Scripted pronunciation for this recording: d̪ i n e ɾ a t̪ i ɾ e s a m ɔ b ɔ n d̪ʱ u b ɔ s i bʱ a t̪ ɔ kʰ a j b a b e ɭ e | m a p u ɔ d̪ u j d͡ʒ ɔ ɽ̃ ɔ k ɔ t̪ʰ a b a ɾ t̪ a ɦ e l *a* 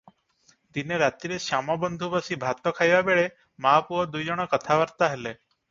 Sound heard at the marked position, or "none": e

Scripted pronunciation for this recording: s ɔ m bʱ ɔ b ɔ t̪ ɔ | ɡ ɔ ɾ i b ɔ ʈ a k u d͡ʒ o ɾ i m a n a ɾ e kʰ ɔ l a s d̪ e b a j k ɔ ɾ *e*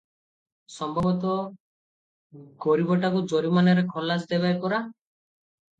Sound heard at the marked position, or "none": a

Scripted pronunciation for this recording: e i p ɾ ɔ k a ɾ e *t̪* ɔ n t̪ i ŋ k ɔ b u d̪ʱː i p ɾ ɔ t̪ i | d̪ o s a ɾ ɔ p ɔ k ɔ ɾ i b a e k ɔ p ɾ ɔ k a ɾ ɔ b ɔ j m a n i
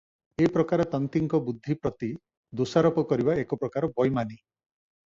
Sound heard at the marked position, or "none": t̪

